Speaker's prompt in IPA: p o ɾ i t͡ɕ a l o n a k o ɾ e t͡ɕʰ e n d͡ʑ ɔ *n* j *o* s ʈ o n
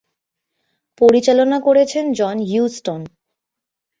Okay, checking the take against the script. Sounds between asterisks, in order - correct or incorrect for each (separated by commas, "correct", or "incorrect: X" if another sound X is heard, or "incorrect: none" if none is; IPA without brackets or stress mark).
correct, incorrect: u